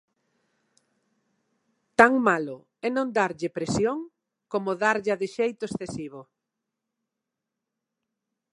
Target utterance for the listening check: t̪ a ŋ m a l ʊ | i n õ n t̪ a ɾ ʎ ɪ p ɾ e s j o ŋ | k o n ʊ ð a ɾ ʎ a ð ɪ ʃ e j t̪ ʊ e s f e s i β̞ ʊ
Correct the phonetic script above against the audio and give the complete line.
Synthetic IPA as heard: t̪ a ŋ m a l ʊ | ɛ n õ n d̪ a ɾ ʎ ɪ p ɾ e s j o ŋ | k o m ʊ ð a ɾ ʎ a ð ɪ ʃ e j t̪ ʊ e s θ e s i β̞ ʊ